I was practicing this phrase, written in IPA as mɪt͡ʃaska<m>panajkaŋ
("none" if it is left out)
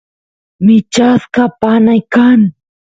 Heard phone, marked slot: none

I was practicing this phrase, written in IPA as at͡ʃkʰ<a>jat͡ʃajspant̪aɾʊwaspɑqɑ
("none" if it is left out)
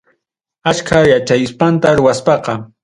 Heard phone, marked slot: a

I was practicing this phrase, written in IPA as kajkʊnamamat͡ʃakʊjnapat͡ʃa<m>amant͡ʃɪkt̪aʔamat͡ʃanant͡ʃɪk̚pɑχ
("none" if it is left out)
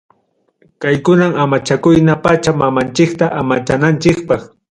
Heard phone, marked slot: m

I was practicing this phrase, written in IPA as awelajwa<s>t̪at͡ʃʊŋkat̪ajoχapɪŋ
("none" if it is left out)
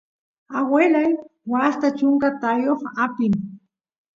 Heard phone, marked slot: s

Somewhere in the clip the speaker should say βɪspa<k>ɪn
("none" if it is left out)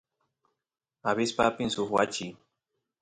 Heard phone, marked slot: p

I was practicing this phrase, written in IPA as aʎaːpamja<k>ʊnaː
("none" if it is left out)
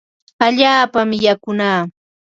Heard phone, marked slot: k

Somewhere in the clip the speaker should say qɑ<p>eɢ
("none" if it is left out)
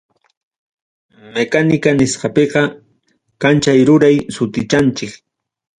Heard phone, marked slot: p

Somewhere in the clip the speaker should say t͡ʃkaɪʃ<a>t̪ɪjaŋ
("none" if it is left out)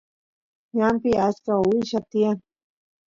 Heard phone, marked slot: a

